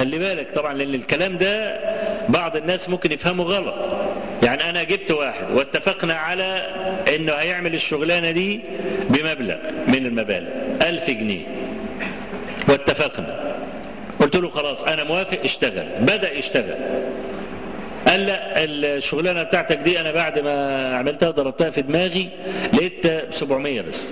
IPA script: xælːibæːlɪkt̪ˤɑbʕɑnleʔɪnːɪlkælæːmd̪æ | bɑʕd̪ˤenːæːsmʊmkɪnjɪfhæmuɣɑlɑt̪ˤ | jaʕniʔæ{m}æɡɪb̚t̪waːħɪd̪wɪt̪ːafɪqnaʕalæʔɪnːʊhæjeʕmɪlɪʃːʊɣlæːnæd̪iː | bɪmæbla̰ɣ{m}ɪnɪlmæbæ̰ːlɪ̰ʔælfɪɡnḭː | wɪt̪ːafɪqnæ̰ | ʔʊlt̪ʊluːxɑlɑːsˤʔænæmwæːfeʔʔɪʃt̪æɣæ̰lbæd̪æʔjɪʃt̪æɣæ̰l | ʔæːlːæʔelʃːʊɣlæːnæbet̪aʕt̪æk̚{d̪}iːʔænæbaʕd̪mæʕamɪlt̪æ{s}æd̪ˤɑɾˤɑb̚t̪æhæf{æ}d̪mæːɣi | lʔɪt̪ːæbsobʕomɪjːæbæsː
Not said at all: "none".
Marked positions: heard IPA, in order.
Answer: n, m, d̪, h, i

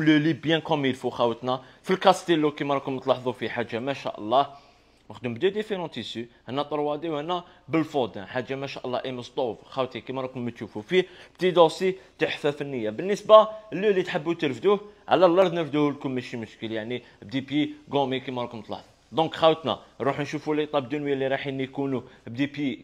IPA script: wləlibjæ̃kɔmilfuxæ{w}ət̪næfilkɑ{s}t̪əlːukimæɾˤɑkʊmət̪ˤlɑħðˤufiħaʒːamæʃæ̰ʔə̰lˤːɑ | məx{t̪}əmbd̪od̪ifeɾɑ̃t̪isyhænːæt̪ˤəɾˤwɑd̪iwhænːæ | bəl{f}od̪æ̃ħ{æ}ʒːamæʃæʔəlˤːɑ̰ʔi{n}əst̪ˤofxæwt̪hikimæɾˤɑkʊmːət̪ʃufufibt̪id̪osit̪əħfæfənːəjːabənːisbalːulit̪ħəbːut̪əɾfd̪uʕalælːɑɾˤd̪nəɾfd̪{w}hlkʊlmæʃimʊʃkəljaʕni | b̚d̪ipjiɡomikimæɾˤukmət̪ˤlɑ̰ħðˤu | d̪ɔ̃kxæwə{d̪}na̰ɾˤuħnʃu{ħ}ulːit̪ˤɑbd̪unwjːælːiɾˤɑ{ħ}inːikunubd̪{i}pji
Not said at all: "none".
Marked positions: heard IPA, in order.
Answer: w, s, d̪, f, a, m, u, t̪, f, ħ, i

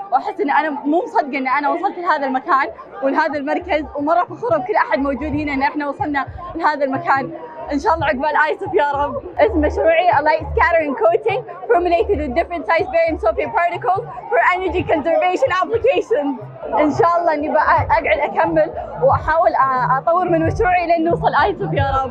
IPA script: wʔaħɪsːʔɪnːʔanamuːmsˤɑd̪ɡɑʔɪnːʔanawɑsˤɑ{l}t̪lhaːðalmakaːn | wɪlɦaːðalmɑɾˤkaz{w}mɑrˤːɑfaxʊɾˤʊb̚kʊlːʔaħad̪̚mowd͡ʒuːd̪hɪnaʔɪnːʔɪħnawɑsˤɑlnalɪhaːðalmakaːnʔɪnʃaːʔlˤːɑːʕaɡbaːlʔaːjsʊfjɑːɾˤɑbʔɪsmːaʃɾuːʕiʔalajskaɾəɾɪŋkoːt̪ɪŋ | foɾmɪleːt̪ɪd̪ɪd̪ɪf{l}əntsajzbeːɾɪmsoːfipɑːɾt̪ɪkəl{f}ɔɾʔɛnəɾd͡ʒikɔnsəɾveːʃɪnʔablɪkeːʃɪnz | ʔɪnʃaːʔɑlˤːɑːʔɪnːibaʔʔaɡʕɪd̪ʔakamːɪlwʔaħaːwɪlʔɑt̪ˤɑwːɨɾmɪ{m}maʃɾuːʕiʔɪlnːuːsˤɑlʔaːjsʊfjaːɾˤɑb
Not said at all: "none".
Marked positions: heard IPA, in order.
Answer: l, w, ɾ, f, n

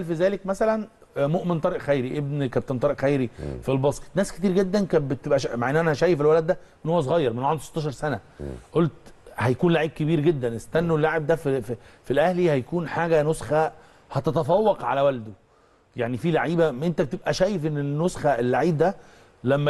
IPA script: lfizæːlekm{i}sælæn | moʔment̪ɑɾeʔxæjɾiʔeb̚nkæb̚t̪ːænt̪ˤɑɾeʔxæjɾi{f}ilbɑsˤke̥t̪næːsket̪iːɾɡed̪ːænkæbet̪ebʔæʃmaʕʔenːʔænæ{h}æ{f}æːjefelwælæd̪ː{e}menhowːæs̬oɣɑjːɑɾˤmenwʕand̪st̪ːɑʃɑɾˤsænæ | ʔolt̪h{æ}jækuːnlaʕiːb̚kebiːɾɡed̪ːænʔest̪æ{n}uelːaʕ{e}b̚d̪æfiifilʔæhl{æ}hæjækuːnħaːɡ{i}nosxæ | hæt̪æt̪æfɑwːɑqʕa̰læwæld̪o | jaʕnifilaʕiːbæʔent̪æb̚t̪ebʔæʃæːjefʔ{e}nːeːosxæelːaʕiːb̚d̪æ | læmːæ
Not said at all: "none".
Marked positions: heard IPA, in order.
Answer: æ, f, h, ʃ, æ, æ, nː, e, i, æ, e

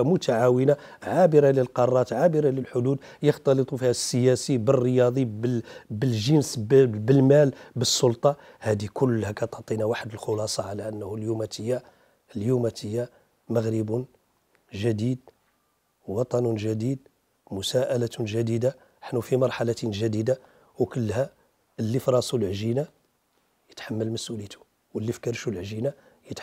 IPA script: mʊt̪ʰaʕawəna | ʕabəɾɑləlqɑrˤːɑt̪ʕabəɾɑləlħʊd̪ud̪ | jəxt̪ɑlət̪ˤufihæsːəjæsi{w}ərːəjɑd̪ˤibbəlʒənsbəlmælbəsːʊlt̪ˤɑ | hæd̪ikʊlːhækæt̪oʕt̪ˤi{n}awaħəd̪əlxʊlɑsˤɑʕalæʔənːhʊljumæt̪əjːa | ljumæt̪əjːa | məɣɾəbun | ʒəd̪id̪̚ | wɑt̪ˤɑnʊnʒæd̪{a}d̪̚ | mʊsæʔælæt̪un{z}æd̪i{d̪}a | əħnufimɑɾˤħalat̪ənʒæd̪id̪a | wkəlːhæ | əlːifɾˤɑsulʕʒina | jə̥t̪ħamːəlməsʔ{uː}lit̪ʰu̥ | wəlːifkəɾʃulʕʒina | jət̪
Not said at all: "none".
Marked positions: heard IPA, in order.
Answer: b, n, i, ʒ, d̪, u

